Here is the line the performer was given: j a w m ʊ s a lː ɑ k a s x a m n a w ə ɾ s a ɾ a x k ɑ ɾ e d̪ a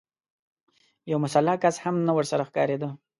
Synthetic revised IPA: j a w m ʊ s a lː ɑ k a s h a m n a w ə ɾ s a ɾ a x k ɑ ɾ e d̪ ə